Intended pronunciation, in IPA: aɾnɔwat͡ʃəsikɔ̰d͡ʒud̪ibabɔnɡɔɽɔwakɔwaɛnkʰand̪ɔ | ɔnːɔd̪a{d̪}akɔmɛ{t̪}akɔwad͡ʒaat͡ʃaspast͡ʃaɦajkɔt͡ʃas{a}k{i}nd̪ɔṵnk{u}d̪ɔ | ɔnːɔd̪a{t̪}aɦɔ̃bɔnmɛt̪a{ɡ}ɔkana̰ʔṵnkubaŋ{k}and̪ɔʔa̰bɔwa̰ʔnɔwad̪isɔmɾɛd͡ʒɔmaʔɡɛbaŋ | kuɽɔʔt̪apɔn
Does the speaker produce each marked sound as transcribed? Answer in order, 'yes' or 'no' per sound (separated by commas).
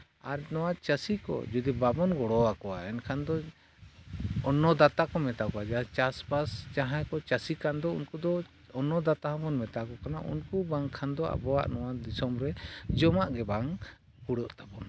no, yes, no, no, yes, yes, no, no